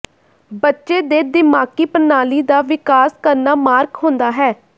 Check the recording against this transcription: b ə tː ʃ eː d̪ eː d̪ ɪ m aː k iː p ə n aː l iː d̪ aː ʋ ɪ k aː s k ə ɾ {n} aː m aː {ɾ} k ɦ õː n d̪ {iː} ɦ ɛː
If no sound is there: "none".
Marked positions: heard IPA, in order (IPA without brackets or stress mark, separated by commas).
n, ɾ, aː